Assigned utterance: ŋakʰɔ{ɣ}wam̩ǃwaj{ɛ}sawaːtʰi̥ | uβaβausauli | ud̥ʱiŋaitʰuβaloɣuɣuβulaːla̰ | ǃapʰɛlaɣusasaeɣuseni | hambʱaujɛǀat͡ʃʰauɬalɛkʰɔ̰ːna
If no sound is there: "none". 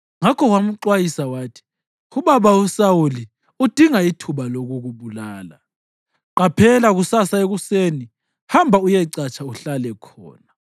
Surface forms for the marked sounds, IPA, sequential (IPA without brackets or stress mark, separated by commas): ɣ, i